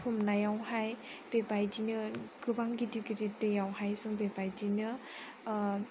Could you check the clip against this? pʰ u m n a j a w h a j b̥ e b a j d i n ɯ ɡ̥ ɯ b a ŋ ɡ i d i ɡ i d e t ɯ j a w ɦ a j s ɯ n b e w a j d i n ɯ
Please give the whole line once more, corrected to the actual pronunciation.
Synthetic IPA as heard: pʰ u m n a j a w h a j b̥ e b a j d i n ɯ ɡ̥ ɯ b a ŋ ɡ i d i ɡ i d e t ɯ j a w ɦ a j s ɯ ŋ b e b a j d i n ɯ